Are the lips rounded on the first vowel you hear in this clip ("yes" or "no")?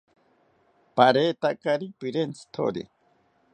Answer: no